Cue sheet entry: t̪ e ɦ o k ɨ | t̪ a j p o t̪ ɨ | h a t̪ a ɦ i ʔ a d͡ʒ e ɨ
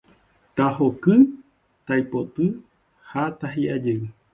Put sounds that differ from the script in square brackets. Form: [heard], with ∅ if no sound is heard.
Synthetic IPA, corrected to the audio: t̪ [a] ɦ o k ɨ | t̪ a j p o t̪ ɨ | h a t̪ a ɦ i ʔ a d͡ʒ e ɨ